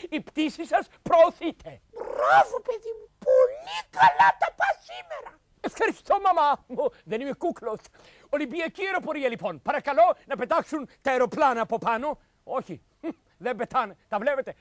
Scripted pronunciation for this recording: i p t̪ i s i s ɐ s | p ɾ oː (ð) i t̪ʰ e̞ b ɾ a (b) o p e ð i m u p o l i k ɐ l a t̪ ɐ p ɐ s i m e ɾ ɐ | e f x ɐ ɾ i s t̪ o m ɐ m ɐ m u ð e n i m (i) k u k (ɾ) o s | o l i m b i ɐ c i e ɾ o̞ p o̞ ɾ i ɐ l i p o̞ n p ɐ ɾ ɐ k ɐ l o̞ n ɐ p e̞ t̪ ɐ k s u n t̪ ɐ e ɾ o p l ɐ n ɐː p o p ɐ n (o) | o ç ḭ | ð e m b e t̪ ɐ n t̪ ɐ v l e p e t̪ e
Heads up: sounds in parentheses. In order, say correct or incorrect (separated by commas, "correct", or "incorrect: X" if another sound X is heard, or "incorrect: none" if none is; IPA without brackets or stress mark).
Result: incorrect: θ, incorrect: v, incorrect: e, incorrect: l, correct